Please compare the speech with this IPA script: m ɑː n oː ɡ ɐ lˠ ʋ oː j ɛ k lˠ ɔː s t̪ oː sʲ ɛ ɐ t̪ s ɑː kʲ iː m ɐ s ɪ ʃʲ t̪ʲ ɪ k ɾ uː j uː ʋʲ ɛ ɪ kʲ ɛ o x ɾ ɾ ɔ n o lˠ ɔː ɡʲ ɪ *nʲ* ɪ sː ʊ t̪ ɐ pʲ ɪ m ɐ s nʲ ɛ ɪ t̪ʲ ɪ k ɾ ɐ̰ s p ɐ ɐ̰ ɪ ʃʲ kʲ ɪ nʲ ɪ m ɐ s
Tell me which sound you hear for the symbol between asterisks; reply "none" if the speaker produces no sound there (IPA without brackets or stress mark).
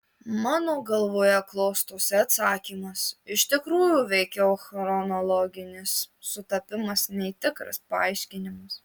nʲ